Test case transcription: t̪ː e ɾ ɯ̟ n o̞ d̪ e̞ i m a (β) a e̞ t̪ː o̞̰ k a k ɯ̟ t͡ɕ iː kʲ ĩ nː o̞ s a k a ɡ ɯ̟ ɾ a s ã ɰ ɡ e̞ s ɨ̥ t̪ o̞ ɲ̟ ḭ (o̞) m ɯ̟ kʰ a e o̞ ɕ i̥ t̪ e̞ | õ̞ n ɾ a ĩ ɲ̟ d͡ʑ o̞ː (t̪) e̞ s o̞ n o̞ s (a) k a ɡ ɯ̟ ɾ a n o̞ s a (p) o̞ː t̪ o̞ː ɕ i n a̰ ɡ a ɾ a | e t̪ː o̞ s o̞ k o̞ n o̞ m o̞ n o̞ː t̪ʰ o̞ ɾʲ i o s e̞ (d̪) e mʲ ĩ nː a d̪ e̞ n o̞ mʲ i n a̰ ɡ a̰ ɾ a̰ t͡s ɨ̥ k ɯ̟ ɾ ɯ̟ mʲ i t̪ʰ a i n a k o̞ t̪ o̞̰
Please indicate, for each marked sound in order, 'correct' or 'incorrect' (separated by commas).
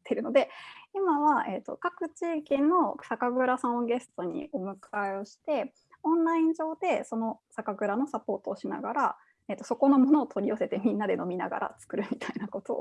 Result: correct, correct, incorrect, correct, correct, incorrect